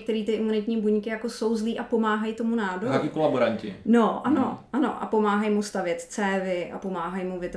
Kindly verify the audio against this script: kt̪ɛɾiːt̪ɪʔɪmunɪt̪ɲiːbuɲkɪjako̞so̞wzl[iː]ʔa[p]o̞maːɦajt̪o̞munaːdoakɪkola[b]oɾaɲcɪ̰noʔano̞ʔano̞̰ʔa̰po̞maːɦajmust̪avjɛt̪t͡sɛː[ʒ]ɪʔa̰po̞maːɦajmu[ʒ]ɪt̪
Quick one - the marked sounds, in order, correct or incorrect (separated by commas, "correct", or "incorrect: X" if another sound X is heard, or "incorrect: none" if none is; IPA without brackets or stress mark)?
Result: correct, correct, correct, incorrect: v, incorrect: v